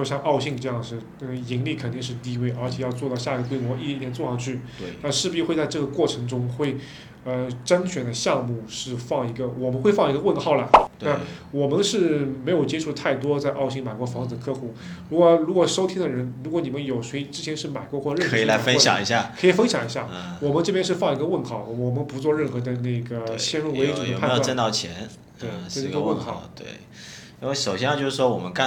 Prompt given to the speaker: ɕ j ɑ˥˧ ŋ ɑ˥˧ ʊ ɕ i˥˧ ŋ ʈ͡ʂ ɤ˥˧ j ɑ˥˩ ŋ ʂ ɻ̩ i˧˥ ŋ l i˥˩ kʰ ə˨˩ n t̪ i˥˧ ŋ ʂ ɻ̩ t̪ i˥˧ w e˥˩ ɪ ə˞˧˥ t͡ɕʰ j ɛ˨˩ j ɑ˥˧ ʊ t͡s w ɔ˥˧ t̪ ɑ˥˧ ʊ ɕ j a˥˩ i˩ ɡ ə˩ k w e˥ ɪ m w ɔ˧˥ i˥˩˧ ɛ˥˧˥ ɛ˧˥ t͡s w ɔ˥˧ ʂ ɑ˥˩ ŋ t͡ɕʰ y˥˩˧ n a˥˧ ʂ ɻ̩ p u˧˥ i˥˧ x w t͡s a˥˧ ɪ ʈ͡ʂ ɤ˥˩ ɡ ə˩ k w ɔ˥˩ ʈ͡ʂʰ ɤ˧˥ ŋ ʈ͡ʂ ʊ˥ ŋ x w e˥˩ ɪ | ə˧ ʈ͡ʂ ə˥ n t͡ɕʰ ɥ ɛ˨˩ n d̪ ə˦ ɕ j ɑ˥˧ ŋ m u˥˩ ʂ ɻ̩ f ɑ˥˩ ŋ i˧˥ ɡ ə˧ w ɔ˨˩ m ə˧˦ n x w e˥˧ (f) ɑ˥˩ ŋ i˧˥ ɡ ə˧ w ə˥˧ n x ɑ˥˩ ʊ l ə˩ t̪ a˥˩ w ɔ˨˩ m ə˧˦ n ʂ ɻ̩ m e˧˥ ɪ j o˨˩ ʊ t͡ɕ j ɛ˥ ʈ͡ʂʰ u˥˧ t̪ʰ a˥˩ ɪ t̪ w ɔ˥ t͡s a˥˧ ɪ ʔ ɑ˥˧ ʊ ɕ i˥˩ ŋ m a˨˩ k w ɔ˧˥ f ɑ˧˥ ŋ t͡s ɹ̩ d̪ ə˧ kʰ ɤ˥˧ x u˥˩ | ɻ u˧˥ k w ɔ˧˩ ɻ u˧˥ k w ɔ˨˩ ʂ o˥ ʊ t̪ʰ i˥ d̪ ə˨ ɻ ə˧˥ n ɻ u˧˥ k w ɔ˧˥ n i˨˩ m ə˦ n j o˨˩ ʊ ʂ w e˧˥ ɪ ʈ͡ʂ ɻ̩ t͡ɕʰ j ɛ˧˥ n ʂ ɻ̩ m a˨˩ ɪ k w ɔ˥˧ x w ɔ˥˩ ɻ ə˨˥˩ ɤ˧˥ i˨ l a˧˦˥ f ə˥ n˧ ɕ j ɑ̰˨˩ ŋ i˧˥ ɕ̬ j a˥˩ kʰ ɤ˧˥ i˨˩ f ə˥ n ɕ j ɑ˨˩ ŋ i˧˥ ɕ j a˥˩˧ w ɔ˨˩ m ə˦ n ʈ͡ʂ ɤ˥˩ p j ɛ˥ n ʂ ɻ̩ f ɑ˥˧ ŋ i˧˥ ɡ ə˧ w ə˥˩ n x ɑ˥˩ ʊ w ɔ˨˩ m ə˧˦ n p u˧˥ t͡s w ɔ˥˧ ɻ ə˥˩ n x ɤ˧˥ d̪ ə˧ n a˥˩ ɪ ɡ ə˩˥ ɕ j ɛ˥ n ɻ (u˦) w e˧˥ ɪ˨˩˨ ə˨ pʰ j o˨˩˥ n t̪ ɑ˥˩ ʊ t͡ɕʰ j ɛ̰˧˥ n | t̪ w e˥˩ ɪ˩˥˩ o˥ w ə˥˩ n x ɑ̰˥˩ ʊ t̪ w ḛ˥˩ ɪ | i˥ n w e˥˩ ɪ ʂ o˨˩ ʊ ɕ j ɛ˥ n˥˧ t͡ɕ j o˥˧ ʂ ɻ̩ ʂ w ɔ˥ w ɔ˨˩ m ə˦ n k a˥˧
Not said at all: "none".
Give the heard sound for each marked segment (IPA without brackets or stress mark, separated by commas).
f, u˥˩